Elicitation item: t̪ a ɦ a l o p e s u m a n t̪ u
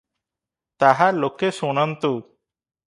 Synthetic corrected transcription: t̪ a ɦ a l o k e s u n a n t̪ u